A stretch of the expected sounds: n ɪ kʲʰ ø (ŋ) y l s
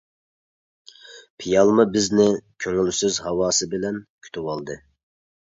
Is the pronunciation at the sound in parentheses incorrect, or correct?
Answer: correct